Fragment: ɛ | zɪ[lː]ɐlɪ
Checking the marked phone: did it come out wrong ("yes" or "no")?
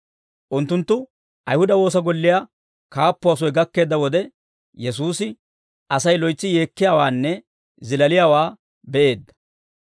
yes